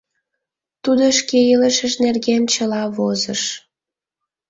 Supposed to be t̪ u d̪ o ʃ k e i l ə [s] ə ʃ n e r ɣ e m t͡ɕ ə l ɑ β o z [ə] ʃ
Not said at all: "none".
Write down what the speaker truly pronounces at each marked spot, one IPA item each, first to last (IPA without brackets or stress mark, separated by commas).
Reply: ʃ, ə